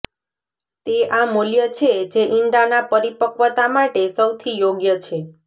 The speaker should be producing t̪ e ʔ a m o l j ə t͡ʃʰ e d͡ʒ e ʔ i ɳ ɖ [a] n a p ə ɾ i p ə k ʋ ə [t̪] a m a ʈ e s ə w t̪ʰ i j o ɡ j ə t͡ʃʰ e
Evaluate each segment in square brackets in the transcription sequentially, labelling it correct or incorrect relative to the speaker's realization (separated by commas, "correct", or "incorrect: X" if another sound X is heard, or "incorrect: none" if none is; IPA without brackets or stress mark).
correct, correct